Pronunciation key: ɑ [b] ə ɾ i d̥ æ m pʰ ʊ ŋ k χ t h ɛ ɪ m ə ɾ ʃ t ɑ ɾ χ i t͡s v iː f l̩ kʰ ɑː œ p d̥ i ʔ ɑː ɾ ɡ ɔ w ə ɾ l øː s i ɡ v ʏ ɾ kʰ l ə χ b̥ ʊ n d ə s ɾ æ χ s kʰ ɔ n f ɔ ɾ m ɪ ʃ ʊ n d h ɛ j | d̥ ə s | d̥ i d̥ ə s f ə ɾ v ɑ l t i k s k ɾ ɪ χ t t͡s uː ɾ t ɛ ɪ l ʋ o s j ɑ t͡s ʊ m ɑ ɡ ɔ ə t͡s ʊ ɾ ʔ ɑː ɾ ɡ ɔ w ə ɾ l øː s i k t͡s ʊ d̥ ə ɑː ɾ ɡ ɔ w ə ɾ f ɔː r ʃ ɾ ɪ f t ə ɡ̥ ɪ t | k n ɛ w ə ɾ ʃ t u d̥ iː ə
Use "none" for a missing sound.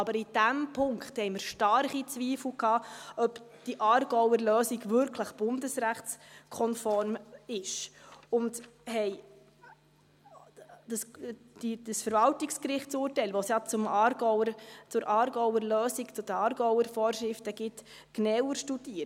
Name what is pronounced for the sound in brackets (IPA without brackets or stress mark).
b